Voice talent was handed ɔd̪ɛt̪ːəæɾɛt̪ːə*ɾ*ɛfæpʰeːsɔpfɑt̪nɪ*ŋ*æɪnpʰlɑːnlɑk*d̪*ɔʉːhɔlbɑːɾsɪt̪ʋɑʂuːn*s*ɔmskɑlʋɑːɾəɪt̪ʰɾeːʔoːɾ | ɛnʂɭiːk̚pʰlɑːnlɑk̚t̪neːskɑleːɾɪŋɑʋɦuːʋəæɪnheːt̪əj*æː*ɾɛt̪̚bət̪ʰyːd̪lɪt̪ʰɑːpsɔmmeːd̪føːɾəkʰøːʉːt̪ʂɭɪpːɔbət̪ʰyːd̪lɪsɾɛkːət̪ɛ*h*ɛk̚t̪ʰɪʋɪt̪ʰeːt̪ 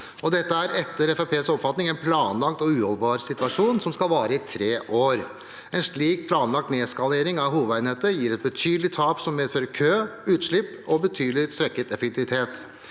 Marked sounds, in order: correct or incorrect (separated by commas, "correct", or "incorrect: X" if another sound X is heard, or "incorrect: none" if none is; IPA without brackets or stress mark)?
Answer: correct, correct, incorrect: t̪, correct, incorrect: iː, incorrect: f